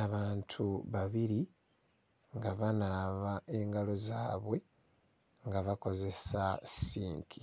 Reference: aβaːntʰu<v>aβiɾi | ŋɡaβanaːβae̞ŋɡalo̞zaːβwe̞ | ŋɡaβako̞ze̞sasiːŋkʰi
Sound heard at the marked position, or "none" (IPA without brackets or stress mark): β